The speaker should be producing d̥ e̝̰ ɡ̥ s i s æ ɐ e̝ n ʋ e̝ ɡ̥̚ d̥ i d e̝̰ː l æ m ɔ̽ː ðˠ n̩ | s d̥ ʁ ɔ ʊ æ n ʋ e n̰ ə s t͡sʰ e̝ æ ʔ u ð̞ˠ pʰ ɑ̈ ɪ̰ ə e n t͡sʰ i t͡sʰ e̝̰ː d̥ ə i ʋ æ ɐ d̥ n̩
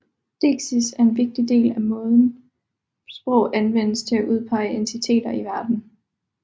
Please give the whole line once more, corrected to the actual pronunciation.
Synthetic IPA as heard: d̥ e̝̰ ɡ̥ s i s æ ɐ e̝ n ʋ e̝ ɡ̥̚ d̥ i d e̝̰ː l æ m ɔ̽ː ðˠ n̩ | s b̥ ʁ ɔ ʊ æ n ʋ e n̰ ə s t͡sʰ e̝ æ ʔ u ð̞ˠ pʰ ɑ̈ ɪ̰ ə e n t͡sʰ i t͡sʰ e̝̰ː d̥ ɐ i ʋ æ ɐ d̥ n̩